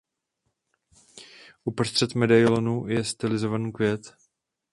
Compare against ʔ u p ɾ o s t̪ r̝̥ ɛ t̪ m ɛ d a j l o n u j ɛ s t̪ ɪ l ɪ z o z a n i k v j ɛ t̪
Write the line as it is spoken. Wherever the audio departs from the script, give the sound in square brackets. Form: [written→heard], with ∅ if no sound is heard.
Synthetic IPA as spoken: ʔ u p ɾ o s t̪ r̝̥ ɛ t̪ m ɛ d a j l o n u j ɛ s t̪ ɪ l ɪ z o [z→v] a n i k v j ɛ t̪

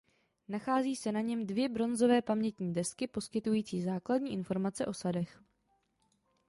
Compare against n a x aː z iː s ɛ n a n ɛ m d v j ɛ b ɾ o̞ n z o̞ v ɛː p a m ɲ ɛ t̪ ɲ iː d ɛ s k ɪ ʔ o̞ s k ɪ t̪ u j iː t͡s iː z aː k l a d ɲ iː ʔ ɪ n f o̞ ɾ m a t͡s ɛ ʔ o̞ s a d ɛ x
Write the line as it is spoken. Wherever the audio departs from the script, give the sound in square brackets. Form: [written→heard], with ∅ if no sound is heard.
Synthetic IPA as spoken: n a x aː z iː s ɛ n a [n→ɲ] ɛ m d v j ɛ b ɾ o̞ n z o̞ v ɛː p a m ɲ ɛ t̪ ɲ iː d ɛ s k ɪ [ʔ→p] o̞ s k ɪ t̪ u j iː t͡s iː z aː k l a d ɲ iː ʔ ɪ n f o̞ ɾ m a t͡s ɛ ʔ o̞ s a d ɛ x

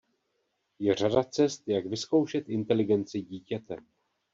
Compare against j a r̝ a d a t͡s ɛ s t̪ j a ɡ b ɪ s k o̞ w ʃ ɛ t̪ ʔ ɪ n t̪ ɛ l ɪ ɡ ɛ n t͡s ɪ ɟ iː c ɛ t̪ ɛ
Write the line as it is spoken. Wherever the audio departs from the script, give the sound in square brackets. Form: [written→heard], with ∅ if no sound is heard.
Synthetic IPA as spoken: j [a→ɛ] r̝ a d a t͡s ɛ s t̪ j a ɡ [b→v] ɪ s k o̞ w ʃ ɛ t̪ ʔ ɪ n t̪ ɛ l ɪ ɡ ɛ n t͡s ɪ ɟ iː c ɛ t̪ ɛ

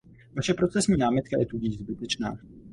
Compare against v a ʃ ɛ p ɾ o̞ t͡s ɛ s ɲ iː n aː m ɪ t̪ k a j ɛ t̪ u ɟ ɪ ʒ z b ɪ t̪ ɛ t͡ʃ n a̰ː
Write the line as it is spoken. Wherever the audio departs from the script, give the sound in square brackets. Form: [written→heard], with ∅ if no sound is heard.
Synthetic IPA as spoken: v a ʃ ɛ p ɾ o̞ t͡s ɛ s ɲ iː n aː m ɪ t̪ k a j ɛ t̪ u ɟ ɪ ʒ z b ɪ t̪ ɛ t͡ʃ n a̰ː

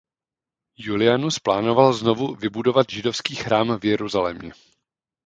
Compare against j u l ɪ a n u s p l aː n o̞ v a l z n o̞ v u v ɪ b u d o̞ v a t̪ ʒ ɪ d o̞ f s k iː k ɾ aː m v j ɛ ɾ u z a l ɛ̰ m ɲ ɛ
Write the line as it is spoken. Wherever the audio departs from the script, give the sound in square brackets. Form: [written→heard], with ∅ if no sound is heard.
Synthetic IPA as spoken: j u l ɪ a n u s p l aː n o̞ v a l z n o̞ v u v ɪ b u d o̞ v a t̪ ʒ ɪ d o̞ f s k iː [k→x] ɾ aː m v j ɛ ɾ u z a l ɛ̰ m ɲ ɛ

